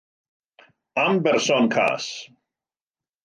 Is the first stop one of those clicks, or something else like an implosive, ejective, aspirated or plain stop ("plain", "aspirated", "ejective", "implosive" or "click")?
plain